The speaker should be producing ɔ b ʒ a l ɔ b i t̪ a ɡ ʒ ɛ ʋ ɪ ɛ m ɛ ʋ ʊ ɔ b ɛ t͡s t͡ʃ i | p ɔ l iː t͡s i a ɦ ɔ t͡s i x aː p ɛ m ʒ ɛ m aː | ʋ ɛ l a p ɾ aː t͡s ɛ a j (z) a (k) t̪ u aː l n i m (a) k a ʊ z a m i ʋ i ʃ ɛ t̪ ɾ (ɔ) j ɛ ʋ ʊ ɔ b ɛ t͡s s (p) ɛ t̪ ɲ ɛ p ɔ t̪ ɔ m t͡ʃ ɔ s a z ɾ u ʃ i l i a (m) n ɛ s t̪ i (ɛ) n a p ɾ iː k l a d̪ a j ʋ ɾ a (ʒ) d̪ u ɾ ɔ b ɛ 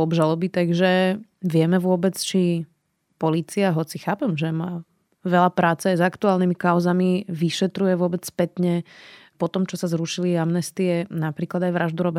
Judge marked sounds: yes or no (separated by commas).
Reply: yes, yes, no, no, yes, yes, yes, yes